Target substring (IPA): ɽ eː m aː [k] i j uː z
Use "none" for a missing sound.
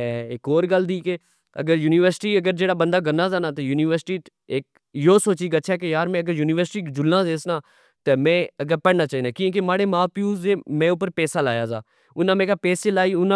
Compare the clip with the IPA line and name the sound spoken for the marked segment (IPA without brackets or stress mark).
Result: p